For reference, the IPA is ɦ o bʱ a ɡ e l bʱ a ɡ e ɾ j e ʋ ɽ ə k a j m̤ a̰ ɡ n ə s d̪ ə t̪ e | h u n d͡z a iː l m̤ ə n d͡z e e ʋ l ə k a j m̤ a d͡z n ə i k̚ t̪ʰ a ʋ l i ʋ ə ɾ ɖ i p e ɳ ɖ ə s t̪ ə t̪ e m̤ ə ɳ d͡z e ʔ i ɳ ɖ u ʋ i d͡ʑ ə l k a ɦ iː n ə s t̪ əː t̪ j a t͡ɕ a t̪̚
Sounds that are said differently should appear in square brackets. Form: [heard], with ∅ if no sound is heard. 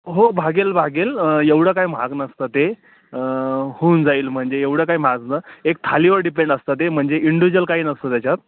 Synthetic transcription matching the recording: ɦ o bʱ a ɡ e l bʱ a ɡ e [l] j e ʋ ɽ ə k a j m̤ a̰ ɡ n ə s [t̪] ə t̪ e | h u n d͡z a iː l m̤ ə [ɳ] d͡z e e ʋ [ɽ] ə k a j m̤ a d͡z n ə [e] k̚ t̪ʰ a [∅] l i ʋ ə ɾ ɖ i p e ɳ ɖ ə s t̪ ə t̪ e m̤ ə ɳ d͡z e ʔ i ɳ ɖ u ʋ i d͡ʑ ə l k a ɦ iː n ə s t̪ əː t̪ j a t͡ɕ a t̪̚